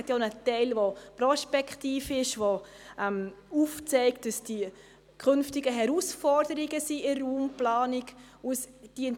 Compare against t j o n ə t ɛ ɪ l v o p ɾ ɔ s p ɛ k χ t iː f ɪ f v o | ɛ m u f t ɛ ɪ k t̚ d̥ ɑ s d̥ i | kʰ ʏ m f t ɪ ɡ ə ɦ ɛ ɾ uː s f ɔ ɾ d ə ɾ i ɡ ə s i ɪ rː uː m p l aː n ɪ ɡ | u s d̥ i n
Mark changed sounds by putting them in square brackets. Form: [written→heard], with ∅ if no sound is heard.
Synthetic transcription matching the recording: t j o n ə t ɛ ɪ l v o p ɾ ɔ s p ɛ k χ t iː f ɪ [f→ʃ] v o | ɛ m u f [t→t͡s] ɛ ɪ k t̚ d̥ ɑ s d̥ i | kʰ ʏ [m→n] f t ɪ ɡ ə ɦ ɛ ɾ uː s f ɔ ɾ d ə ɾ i ɡ ə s i ɪ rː uː m p l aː n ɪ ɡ | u s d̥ i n